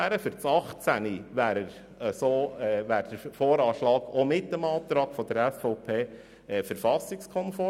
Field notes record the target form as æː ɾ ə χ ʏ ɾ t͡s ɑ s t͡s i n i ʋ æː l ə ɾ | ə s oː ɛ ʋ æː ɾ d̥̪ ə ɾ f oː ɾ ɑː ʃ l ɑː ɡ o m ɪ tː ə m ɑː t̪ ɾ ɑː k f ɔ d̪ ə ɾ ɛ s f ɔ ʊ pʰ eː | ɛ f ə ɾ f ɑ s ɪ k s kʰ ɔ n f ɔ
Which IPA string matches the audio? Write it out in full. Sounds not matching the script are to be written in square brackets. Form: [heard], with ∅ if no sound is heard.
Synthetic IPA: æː ɾ ə [f] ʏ ɾ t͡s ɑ [χ] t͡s [æ] n i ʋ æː [ɾ] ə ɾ | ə s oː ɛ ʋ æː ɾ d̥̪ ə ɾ f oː ɾ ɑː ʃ l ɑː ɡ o m ɪ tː ə m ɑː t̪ ɾ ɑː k f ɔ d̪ ə ɾ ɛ s f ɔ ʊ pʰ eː | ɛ f ə ɾ f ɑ s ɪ k s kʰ ɔ n f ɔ